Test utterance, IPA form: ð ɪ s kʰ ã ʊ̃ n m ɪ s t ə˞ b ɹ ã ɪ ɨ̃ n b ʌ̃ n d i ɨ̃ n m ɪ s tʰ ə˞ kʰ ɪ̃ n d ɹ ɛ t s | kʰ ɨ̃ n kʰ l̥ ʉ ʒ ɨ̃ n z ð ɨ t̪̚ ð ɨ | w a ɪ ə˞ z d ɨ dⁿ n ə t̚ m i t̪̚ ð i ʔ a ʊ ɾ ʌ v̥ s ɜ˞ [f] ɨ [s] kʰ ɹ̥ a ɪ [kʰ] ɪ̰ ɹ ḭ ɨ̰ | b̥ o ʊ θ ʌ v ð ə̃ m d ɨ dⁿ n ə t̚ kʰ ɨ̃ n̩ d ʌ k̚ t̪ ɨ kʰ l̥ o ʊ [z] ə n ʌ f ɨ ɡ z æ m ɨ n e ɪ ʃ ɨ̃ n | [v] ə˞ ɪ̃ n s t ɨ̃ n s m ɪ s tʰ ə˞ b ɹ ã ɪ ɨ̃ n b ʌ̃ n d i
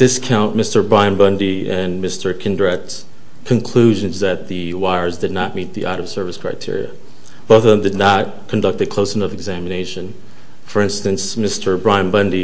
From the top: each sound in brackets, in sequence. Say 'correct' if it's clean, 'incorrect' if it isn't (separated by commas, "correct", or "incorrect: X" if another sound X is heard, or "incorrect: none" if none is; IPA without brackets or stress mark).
incorrect: v, correct, incorrect: tʰ, incorrect: s, incorrect: f